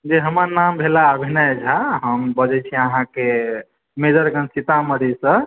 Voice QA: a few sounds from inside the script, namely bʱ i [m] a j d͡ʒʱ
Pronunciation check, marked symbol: incorrect: n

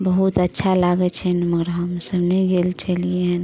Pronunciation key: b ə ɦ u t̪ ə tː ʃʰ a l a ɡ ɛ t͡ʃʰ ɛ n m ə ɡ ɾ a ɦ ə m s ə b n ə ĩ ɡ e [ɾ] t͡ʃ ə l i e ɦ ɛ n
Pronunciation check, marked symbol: incorrect: l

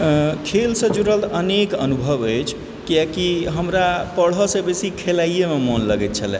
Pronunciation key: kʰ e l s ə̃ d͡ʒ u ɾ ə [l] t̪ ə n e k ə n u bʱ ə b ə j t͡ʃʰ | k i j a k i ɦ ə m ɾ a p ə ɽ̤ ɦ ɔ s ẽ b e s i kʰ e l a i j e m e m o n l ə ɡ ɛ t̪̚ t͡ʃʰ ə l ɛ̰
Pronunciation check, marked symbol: correct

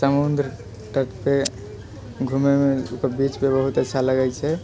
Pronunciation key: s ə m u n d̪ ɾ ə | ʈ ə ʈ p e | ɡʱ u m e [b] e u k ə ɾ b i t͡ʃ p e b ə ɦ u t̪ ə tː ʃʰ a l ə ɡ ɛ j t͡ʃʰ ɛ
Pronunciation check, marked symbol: incorrect: m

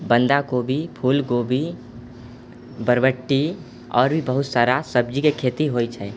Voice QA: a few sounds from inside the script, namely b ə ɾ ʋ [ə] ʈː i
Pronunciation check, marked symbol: correct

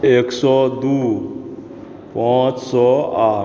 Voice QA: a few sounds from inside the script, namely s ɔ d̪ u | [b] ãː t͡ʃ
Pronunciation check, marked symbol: incorrect: p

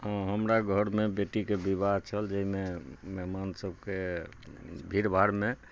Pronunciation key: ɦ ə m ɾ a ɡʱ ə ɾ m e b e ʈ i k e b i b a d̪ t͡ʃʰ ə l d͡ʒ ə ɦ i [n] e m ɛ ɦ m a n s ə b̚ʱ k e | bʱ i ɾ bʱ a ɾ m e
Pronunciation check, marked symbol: incorrect: m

